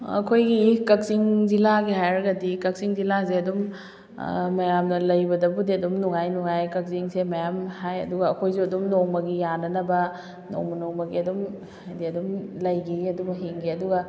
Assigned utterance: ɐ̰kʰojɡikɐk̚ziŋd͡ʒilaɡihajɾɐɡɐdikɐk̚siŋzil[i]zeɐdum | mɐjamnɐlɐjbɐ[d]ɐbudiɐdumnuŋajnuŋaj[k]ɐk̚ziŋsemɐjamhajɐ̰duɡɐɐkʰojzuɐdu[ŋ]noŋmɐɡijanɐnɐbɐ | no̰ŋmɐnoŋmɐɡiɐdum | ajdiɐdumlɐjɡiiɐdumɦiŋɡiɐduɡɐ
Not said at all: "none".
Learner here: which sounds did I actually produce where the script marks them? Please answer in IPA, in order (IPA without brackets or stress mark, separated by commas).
a, d, k, m